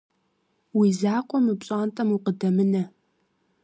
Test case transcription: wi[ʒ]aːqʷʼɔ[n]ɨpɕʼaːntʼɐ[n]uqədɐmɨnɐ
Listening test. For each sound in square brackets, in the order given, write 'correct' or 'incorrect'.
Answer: incorrect, incorrect, incorrect

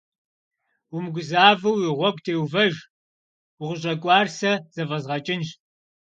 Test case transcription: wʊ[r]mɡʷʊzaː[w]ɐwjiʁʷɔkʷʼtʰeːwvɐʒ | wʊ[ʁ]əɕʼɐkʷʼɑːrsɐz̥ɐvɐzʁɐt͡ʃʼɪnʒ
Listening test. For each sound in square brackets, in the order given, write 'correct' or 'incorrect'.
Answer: incorrect, incorrect, correct

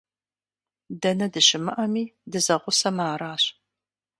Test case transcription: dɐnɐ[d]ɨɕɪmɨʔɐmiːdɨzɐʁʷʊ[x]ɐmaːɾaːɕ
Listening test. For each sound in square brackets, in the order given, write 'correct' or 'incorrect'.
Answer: correct, incorrect

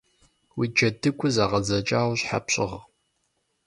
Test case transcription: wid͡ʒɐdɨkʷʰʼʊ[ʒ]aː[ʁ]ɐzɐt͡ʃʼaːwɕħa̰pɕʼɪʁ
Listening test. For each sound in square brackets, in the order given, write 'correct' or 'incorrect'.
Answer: incorrect, correct

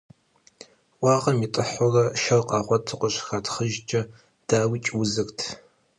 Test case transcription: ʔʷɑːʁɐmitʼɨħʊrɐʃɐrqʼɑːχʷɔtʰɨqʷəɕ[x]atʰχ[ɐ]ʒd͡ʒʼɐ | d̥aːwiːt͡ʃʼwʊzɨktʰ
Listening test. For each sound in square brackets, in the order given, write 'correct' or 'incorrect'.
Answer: correct, incorrect

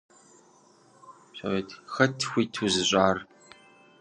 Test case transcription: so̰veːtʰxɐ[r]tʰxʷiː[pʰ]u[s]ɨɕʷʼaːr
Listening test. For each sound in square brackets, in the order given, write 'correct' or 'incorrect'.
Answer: incorrect, incorrect, incorrect

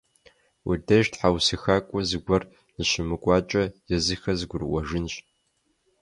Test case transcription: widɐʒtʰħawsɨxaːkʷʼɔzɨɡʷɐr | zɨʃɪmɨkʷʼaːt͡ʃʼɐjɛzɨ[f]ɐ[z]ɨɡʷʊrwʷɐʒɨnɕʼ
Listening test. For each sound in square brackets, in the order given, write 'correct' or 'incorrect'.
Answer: incorrect, correct

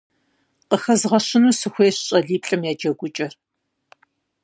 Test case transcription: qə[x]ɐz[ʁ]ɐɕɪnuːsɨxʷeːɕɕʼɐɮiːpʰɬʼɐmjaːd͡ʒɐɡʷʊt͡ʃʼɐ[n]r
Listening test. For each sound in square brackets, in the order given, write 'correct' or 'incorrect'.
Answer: correct, correct, incorrect

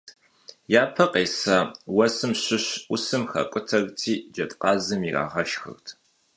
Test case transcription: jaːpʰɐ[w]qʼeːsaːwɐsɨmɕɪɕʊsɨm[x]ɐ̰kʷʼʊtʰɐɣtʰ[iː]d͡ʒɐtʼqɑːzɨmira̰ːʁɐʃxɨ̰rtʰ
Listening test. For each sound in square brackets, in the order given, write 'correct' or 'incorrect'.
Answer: incorrect, correct, correct

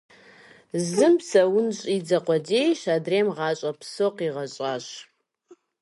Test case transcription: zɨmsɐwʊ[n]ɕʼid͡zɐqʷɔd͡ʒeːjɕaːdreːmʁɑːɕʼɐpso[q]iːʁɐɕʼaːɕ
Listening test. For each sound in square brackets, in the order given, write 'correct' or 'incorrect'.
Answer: correct, correct

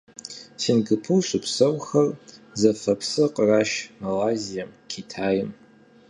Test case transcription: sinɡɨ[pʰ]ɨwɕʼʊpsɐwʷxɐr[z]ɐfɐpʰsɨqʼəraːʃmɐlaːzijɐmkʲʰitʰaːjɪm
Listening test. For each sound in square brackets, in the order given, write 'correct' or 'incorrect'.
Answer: correct, correct

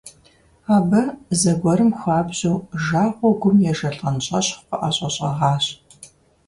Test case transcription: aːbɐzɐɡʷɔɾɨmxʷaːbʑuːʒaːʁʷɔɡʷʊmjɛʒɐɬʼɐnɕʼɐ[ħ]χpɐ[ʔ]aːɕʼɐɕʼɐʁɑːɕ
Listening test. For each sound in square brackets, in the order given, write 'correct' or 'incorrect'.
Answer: incorrect, correct

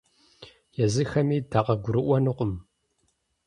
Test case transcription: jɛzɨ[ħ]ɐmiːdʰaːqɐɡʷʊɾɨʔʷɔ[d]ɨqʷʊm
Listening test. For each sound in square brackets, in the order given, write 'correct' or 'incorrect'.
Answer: incorrect, incorrect

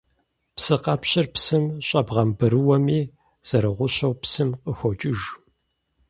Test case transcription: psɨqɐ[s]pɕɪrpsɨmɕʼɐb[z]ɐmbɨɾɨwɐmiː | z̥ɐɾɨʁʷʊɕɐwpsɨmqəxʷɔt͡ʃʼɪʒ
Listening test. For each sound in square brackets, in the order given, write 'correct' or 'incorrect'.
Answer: incorrect, incorrect

